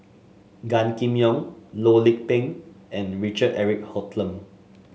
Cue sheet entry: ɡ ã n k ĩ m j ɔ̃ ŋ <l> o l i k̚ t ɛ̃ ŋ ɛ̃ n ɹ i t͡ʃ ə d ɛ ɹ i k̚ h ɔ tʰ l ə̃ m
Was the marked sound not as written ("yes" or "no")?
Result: no